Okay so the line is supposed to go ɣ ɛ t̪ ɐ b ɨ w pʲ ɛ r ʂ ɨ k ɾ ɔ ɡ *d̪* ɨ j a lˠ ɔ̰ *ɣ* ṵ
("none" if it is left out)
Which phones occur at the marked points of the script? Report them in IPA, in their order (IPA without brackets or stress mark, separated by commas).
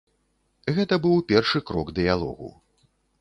d̪, ɣ